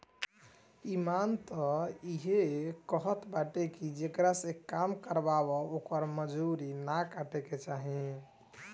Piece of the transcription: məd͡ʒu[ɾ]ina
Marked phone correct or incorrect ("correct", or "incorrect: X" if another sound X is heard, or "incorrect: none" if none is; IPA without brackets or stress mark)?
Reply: correct